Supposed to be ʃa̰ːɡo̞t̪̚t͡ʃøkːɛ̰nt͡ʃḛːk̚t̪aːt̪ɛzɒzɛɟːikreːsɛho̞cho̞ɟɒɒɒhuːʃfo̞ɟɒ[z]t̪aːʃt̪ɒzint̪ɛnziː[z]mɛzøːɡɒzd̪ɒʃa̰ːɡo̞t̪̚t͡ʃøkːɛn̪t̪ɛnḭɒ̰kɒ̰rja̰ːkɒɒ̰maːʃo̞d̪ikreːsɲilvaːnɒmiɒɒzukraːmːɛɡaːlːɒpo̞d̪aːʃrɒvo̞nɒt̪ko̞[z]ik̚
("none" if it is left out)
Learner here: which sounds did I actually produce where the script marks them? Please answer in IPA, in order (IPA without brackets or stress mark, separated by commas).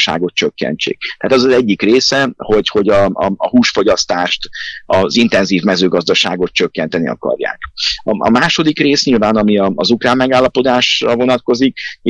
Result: s, v, z